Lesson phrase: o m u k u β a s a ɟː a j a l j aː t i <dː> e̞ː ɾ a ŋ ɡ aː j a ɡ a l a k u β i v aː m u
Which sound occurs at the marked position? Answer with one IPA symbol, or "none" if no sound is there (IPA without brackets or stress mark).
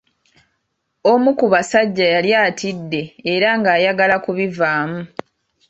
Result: dː